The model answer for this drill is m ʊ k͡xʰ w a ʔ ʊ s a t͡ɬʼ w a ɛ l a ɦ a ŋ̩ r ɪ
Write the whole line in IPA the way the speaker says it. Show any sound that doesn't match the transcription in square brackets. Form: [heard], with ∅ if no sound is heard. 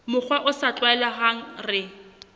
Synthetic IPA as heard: m ʊ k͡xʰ w a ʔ ʊ s a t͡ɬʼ w a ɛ l a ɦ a ŋ̩ r ɪ

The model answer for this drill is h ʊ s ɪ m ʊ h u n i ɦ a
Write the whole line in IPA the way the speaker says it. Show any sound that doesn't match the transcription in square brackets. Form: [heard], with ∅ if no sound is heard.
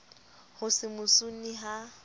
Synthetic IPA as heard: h ʊ s ɪ m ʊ [s] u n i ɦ a

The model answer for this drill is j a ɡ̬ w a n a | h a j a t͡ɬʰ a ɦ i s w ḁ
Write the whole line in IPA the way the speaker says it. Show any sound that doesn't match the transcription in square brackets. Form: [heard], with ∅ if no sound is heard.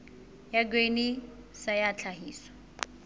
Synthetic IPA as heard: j a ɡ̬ w [e] n [i] | [s] a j a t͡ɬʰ a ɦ [iː] s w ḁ

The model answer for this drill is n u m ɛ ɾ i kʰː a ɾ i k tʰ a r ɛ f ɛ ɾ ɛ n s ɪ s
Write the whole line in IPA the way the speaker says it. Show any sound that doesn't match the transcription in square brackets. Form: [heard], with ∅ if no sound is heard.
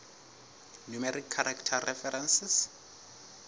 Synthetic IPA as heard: n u m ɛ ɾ i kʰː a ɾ [a] k tʰ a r ɛ f ɛ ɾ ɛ n s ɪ s

